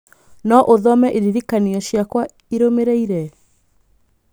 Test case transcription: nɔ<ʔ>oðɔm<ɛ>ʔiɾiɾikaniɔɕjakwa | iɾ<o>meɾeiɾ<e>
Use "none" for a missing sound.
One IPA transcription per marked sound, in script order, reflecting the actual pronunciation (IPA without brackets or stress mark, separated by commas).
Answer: ʔ, ɛ, o, ɛ